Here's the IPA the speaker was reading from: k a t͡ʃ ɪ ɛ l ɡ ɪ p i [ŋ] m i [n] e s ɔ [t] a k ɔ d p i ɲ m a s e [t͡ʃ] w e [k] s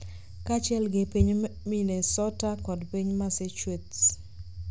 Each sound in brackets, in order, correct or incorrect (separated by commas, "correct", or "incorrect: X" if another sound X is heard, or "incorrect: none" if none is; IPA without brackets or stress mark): incorrect: ɲ, correct, correct, correct, incorrect: t